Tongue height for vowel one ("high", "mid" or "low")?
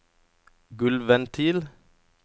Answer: high